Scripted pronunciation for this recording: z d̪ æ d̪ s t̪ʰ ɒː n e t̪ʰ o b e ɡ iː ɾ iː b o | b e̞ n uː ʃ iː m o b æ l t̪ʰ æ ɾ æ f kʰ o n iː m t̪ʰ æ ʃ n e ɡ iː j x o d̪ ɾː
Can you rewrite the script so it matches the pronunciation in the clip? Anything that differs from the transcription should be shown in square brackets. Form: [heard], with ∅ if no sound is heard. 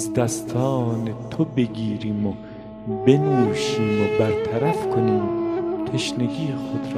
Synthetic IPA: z d̪ æ [∅] s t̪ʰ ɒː n e t̪ʰ o b e ɡ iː ɾ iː [m] o | b e̞ n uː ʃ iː m o b æ [ɾ] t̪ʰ æ ɾ æ f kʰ o n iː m t̪ʰ [e] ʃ n e ɡ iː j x o d̪ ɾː